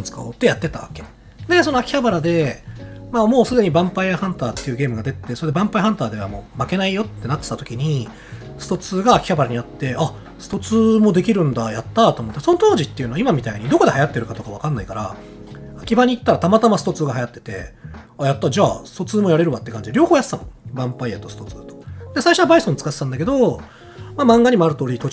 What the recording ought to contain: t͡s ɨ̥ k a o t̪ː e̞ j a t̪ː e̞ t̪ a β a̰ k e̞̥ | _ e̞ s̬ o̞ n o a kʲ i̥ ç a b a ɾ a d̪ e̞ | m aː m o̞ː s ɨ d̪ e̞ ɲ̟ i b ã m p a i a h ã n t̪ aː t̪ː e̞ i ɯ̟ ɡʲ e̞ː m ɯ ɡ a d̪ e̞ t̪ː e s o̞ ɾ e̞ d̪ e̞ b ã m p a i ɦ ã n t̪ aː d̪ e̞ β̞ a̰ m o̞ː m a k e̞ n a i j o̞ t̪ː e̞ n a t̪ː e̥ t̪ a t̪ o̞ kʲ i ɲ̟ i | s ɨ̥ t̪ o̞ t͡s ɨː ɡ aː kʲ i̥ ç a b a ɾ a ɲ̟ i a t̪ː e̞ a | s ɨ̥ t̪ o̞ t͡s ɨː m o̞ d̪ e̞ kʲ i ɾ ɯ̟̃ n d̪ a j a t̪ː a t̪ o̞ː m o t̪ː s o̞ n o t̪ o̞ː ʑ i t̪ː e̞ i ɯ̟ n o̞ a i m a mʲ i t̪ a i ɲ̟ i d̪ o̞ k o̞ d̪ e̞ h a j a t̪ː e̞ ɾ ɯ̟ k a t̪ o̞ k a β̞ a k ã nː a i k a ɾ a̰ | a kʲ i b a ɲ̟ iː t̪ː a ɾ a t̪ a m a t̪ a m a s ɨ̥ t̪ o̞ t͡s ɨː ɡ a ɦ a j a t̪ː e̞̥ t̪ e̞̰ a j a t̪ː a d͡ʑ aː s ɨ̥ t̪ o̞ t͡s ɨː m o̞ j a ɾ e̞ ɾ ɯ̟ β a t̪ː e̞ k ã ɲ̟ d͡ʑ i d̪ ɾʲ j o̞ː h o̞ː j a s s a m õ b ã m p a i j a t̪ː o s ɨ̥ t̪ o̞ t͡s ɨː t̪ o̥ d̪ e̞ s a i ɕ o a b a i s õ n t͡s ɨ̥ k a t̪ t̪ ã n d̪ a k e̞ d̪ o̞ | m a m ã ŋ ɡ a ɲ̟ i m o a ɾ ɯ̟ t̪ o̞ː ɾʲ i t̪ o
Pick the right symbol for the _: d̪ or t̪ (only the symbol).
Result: d̪